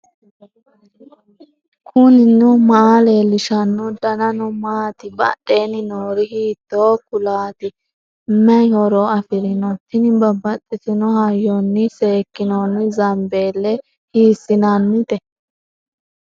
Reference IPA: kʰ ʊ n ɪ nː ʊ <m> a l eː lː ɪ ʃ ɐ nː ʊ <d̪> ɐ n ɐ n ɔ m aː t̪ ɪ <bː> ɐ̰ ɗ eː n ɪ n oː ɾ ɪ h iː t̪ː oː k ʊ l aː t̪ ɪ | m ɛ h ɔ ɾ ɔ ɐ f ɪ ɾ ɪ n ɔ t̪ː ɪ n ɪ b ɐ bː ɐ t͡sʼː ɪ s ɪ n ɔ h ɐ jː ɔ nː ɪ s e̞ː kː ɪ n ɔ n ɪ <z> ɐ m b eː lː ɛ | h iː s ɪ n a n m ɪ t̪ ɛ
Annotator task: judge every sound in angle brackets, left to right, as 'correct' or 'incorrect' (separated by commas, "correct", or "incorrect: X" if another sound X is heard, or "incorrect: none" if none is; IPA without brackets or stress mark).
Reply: correct, correct, incorrect: b, correct